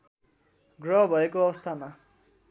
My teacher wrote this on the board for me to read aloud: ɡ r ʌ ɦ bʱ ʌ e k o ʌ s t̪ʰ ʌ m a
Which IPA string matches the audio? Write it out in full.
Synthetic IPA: ɡ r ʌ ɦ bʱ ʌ e k o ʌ s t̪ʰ a m a